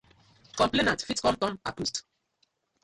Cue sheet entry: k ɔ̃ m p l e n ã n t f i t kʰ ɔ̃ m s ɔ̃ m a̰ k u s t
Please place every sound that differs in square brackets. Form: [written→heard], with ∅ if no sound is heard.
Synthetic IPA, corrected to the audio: k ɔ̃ m p l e n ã n t f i t [kʰ→k] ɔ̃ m [s→t] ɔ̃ m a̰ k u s t